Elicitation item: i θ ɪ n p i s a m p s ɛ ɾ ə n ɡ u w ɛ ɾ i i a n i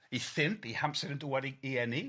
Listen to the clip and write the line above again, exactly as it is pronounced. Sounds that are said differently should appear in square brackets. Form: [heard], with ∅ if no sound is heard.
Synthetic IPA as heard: i θ ɪ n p i [h] a m p s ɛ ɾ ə n [d] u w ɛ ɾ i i [ɛ] n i